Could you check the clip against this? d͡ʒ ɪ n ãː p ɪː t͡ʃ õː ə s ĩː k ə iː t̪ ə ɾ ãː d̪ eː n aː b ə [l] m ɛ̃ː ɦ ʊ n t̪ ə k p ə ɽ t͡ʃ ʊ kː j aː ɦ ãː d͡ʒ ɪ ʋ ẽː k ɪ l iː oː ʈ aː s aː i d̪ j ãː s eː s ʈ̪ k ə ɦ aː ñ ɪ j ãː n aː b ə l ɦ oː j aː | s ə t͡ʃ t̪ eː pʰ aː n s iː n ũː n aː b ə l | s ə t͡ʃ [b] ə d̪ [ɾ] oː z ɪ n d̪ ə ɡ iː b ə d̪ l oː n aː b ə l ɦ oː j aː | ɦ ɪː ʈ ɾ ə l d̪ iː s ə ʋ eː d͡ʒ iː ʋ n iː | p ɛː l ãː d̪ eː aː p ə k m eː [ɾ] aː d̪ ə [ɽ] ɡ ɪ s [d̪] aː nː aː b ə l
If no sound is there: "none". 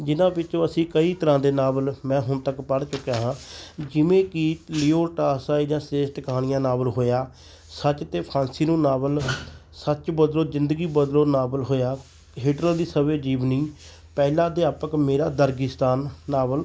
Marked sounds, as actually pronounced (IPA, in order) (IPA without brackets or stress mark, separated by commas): l, b, l, ɾ, ɾ, t̪